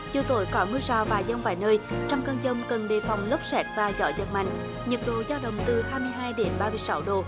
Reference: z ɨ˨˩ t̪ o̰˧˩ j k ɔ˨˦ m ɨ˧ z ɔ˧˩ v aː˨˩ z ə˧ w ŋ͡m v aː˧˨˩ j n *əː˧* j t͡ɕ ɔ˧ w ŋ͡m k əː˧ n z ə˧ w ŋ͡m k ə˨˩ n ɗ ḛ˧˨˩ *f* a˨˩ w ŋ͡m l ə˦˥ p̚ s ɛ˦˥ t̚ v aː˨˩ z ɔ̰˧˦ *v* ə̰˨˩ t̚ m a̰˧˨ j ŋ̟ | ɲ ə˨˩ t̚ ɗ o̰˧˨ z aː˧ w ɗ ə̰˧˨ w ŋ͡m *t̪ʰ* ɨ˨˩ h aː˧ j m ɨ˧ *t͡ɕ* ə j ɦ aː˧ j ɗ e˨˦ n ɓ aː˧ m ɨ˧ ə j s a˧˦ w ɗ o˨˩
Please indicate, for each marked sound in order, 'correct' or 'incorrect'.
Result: correct, correct, incorrect, incorrect, incorrect

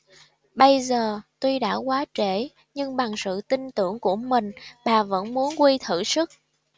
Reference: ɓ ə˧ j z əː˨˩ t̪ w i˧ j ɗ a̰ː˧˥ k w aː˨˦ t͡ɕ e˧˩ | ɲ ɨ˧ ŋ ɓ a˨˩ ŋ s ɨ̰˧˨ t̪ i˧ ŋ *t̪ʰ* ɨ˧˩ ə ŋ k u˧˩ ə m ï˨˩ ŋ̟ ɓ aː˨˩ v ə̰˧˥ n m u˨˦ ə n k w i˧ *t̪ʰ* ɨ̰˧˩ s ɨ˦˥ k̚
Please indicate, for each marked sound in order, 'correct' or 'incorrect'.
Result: incorrect, correct

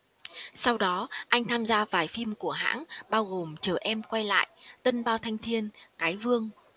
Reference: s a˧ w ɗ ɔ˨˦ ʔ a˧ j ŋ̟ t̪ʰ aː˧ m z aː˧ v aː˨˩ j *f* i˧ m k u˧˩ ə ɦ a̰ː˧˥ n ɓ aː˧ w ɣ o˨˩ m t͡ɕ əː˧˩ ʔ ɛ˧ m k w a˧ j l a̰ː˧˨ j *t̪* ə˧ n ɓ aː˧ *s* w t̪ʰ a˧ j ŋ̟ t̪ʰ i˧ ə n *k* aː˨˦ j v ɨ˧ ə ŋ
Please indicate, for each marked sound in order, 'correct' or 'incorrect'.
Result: correct, correct, incorrect, correct

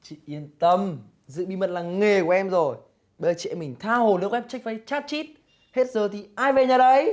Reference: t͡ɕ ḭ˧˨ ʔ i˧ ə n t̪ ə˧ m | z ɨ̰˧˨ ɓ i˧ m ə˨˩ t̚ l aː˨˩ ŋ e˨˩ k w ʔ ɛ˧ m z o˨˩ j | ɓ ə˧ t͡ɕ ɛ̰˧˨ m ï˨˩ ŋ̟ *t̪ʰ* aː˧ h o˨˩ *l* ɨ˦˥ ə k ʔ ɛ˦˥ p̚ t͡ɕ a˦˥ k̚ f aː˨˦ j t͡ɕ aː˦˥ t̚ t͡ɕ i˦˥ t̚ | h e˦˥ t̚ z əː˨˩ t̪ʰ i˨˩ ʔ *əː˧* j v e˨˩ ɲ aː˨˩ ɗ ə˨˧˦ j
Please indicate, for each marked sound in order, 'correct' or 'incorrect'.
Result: correct, correct, incorrect

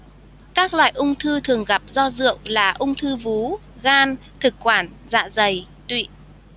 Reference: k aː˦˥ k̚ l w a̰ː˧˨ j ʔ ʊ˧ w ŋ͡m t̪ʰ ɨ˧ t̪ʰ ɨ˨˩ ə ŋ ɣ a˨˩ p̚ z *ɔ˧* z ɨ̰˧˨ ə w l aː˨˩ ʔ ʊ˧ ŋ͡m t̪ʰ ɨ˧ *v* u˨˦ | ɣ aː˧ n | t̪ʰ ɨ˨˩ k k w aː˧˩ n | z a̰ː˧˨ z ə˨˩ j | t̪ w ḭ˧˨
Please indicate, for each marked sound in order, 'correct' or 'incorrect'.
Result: correct, correct

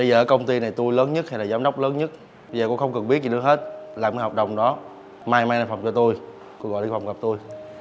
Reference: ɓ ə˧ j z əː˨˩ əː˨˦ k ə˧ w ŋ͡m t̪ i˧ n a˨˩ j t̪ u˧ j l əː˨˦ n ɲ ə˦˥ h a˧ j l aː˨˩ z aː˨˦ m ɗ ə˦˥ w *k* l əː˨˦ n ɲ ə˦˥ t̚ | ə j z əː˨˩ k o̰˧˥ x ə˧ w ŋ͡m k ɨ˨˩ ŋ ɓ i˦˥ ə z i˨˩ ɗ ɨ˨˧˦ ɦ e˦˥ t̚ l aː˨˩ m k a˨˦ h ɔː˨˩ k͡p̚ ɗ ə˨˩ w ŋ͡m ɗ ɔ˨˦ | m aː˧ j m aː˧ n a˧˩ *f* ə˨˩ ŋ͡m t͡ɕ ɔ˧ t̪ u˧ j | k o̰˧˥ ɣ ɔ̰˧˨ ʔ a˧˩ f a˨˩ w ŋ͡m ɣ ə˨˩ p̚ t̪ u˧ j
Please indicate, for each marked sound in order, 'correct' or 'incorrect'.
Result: incorrect, correct

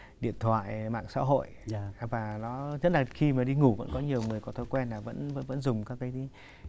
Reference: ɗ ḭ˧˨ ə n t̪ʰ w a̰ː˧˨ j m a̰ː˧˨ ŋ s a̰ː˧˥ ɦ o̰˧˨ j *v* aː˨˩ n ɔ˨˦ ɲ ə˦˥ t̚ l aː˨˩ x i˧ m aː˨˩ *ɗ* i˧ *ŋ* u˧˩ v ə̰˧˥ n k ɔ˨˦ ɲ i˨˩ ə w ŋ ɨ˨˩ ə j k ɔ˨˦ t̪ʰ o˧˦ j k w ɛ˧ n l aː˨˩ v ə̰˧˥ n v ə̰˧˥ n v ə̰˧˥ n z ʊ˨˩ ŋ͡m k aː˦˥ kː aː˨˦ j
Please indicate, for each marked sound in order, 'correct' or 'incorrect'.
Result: correct, correct, correct

